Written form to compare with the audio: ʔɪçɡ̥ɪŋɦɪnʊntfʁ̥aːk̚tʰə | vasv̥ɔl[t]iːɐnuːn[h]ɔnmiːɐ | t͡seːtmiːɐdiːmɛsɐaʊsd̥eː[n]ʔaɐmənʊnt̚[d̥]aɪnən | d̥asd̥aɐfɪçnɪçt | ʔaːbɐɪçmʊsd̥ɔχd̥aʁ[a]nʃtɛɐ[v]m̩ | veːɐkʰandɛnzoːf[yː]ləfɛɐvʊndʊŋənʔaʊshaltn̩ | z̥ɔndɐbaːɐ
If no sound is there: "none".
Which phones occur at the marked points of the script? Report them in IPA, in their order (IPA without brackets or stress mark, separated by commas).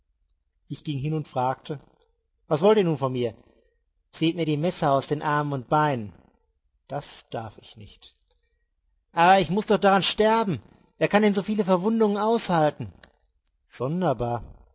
t, f, n, b̥, a, b, iː